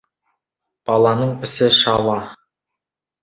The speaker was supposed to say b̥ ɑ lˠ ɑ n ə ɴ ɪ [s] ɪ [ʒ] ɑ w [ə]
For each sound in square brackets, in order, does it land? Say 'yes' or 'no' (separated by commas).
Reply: yes, no, no